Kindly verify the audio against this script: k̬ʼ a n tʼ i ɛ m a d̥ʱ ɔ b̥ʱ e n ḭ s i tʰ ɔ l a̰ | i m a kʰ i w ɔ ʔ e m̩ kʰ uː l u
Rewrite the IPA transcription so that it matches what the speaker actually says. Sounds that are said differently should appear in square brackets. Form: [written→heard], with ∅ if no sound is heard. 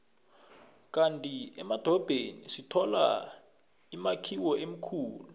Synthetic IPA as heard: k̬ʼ a n tʼ i ɛ m a d̥ʱ ɔ b̥ʱ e n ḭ s i tʰ ɔ l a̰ | i m a kʰ i w ɔ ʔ e m̩ kʰ uː l u